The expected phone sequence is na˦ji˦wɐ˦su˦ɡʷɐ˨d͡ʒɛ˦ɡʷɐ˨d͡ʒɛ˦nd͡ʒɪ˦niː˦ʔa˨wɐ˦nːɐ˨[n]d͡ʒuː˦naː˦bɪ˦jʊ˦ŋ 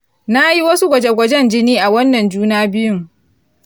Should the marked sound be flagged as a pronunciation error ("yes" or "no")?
no